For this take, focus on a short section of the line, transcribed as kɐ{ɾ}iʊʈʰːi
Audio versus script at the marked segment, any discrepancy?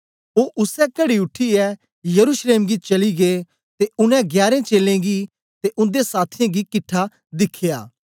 yes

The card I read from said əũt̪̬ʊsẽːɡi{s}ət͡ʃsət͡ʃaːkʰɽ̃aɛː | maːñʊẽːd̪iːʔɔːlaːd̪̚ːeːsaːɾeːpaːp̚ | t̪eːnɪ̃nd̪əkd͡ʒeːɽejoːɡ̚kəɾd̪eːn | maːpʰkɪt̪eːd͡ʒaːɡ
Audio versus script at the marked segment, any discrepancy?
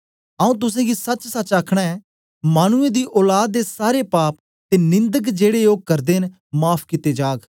no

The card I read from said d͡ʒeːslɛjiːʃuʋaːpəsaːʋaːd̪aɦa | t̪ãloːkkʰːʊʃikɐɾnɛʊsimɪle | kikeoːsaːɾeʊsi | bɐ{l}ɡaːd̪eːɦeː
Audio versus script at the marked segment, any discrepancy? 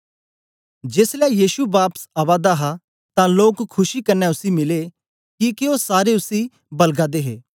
no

